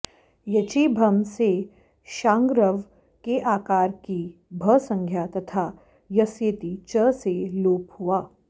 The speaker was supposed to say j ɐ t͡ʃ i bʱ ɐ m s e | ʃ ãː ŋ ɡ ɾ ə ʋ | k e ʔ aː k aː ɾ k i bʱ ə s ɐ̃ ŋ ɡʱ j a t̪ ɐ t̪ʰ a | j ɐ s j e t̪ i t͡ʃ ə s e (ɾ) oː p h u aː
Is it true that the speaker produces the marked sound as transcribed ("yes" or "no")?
no